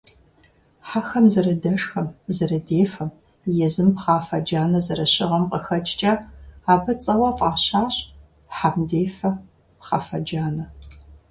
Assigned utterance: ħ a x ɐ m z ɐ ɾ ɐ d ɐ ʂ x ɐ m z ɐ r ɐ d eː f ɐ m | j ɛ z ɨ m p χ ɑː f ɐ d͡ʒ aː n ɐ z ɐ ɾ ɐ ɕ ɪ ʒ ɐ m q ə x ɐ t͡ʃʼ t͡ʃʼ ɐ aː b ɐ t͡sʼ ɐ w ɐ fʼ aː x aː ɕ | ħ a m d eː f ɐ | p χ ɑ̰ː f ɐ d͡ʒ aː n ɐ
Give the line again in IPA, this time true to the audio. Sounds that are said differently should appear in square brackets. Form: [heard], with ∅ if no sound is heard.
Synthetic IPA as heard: ħ a x ɐ m z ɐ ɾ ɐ d ɐ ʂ x ɐ m z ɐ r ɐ d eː f ɐ m | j ɛ z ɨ m p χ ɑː f ɐ d͡ʒ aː n ɐ z ɐ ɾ ɐ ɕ ɪ [ʁ] ɐ m q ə x ɐ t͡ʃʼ t͡ʃʼ ɐ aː b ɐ t͡sʼ ɐ w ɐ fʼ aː [ɕ] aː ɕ | ħ a m d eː f ɐ | p χ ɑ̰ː f ɐ d͡ʒ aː n ɐ